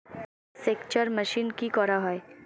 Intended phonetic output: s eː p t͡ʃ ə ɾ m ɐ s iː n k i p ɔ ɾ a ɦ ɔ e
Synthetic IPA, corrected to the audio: s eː k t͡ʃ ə ɾ m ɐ ʃ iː n k i k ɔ ɾ a ɦ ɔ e